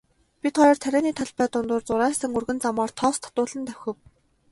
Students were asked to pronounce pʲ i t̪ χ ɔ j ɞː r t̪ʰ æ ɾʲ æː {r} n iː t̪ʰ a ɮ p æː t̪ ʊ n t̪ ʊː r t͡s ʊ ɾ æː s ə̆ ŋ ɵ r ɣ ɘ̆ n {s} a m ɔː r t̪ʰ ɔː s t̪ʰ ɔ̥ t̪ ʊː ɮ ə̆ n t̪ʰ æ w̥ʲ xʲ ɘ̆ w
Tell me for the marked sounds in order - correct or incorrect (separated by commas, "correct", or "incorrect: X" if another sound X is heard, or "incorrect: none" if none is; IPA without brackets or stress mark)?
incorrect: none, incorrect: t͡s